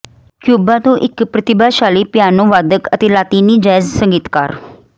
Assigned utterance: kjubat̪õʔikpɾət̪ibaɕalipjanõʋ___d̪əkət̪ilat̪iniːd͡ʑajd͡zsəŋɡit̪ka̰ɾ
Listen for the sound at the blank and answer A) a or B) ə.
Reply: A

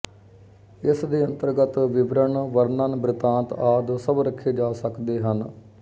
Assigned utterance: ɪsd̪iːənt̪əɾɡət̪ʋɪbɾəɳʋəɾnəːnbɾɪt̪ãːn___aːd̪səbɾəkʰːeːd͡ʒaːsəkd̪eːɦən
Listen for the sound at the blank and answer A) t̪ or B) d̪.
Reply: A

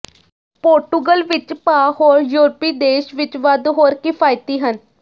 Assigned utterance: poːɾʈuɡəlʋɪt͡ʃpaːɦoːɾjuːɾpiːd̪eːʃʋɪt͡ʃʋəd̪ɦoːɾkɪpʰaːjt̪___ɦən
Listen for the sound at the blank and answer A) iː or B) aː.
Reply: A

